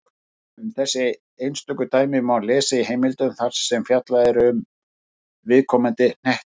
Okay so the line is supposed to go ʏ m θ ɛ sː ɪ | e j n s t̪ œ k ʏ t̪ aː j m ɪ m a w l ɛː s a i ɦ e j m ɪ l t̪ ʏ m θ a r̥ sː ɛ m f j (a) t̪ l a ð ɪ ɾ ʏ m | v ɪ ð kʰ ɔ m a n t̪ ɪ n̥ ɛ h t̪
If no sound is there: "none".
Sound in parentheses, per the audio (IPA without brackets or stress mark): a